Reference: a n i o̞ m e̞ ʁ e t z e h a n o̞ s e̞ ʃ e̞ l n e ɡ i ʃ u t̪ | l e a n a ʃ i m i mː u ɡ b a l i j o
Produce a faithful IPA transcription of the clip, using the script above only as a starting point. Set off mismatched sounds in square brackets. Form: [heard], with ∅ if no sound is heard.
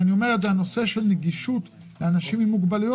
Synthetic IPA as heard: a n i o̞ m e̞ ʁ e t z e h a n o̞ s e̞ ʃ e̞ l n e ɡ i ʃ u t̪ | l e a n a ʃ i m i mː u ɡ b a l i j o